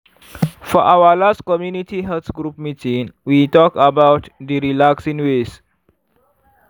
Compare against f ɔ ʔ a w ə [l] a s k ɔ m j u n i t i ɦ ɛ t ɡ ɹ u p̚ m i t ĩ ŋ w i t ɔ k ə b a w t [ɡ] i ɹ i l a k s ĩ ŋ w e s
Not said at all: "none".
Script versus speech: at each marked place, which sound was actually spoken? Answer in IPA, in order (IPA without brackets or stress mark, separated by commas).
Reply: l, d